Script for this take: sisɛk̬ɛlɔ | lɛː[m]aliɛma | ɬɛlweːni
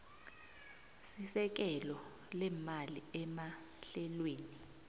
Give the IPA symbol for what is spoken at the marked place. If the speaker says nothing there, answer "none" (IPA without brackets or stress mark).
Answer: m